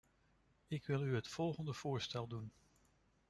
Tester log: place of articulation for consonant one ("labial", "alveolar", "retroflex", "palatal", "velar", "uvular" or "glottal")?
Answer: velar